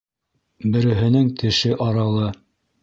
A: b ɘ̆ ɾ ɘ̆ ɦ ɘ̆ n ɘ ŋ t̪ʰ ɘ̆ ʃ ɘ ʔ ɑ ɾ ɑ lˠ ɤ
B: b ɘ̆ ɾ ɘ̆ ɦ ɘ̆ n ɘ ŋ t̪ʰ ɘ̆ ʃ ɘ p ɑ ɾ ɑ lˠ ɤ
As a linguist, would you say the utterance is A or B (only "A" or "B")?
A